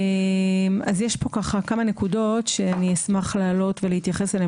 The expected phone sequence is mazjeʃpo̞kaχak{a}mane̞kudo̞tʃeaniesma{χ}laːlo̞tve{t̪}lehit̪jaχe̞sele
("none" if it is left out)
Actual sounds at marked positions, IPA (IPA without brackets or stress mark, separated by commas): a, χ, none